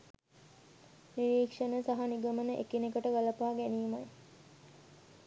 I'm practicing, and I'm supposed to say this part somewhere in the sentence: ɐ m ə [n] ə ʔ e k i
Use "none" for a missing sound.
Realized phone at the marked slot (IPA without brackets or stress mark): n